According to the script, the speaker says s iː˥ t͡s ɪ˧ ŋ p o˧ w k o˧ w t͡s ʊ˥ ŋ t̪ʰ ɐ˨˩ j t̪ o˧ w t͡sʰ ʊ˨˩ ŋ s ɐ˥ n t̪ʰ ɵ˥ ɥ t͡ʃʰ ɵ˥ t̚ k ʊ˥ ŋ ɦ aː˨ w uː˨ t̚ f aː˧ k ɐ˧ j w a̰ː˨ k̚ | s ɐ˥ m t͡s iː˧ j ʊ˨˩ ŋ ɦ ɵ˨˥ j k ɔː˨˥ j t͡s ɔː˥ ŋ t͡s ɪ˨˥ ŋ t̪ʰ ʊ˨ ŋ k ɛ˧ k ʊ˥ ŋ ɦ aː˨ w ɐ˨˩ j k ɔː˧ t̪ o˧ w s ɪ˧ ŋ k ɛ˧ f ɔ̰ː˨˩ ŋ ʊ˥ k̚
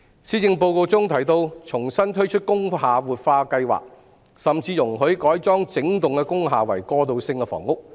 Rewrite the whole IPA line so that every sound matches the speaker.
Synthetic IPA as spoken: s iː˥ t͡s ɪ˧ ŋ p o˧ w k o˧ w t͡s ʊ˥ ŋ t̪ʰ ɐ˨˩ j t̪ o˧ w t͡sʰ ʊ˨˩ ŋ s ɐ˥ n t̪ʰ ɵ˥ ɥ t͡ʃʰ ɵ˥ t̚ k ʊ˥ ŋ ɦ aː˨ w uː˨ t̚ f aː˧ k ɐ˧ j w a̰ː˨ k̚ | s ɐ˨ m t͡s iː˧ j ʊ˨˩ ŋ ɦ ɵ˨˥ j k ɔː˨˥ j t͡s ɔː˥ ŋ t͡s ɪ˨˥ ŋ t̪ ʊ˨ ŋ k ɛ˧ k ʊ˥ ŋ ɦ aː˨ w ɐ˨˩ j k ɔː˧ t̪ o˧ w s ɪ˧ ŋ k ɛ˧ f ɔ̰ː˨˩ ŋ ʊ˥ k̚